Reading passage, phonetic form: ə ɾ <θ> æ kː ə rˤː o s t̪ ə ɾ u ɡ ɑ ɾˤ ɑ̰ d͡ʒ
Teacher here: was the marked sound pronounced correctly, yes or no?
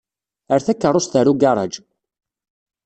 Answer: yes